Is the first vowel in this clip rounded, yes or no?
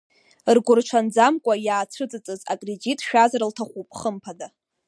yes